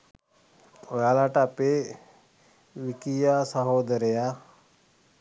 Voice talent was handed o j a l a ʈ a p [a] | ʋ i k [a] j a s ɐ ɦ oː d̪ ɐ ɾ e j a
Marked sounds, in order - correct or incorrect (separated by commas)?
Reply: incorrect, incorrect